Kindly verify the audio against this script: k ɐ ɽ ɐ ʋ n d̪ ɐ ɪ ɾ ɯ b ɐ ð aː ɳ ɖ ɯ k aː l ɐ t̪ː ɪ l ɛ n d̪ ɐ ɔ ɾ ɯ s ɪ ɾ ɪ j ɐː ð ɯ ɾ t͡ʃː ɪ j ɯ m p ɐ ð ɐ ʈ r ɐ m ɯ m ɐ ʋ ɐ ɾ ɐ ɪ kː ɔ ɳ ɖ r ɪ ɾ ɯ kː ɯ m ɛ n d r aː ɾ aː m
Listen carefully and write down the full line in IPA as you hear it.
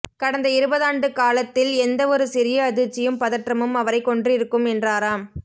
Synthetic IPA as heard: k ɐ ɽ ɐ n d̪ ɐ ɪ ɾ ɯ b ɐ ð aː ɳ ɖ ɯ k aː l ɐ t̪ː ɪ l ɛ n d̪ ɐ ɔ ɾ ɯ s ɪ ɾ ɪ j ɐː ð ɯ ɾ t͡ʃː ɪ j ɯ m p ɐ ð ɐ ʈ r ɐ m ɯ m ɐ ʋ ɐ ɾ ɐ ɪ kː ɔ ɳ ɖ r ɪ ɾ ɯ kː ɯ m ɛ n d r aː ɾ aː m